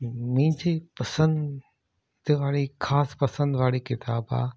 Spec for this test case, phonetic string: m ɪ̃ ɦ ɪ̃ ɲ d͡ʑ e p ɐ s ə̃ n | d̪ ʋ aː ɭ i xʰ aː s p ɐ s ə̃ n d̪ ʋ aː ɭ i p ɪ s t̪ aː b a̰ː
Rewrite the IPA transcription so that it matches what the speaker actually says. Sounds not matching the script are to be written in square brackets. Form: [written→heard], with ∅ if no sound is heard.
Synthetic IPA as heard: m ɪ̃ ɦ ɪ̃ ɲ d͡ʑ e p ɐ s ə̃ n | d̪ ʋ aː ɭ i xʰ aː s p ɐ s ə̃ n d̪ ʋ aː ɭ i [p→k] ɪ [s→∅] t̪ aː b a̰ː